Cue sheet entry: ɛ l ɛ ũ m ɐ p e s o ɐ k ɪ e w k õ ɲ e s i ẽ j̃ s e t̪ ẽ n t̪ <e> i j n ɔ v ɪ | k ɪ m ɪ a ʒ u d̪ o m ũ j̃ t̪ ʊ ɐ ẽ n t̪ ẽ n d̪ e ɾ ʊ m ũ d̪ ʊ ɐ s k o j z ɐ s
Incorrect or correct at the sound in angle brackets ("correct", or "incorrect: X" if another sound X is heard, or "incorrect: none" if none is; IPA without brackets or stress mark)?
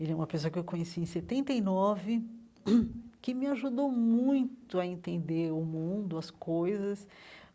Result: correct